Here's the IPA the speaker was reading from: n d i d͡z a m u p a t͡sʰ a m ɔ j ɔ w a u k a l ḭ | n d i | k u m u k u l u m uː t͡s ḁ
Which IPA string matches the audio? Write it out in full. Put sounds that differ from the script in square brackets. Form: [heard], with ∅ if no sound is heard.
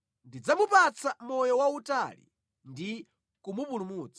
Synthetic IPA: n d i d͡z a m u p a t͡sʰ a m ɔ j ɔ w a u [t] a l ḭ | n d i | k u m u [p] u l u m uː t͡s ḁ